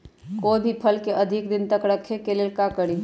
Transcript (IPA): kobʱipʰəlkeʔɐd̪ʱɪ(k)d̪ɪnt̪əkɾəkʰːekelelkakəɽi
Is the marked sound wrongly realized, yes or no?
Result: no